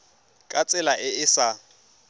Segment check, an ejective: present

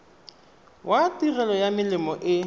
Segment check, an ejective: absent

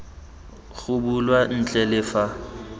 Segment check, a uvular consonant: absent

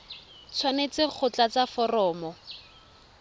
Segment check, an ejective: absent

